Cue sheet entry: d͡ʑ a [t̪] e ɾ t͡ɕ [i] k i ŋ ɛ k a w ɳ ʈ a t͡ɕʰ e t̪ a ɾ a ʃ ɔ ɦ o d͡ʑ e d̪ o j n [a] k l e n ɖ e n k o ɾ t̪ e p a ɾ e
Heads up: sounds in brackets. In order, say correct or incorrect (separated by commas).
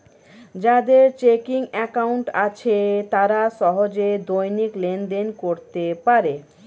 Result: incorrect, incorrect, incorrect